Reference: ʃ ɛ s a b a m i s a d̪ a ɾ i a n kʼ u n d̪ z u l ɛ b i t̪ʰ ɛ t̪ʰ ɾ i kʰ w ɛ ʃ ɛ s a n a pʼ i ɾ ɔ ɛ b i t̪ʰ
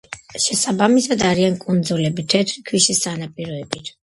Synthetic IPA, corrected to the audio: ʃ ɛ s a b a m i s a d̪ a ɾ i a n kʼ u n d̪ z u l ɛ b i t̪ʰ ɛ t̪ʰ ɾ i kʰ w i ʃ i s a n a pʼ i ɾ ɔ ɛ b i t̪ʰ